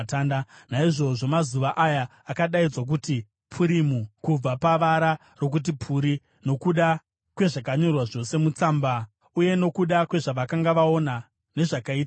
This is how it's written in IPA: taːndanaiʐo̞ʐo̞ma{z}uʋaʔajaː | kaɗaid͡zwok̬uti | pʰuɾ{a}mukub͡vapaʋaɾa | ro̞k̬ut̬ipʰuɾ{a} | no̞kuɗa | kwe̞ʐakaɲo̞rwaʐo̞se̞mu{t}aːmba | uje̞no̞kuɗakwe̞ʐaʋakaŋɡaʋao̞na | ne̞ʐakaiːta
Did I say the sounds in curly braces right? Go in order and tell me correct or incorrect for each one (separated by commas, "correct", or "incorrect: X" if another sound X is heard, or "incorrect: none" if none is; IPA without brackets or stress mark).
correct, incorrect: i, incorrect: i, incorrect: t͡s